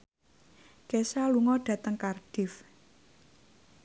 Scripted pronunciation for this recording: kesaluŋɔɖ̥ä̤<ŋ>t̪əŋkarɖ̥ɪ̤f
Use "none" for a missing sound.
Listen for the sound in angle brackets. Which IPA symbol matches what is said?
none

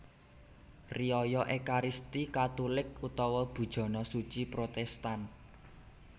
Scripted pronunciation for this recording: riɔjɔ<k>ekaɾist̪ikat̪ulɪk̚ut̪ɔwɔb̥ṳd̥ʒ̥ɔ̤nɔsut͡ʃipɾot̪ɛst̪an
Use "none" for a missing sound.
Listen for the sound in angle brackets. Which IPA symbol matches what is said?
ʔ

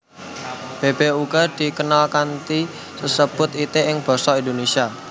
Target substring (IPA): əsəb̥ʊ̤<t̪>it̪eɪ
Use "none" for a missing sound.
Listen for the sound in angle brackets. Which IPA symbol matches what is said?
t̪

